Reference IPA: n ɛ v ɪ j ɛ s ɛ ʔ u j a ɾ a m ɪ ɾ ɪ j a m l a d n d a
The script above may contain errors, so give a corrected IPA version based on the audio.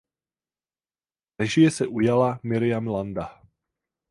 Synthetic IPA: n ɛ ʒ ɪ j ɛ s ɛ ʔ u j a l a m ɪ ɾ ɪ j a m l a n d a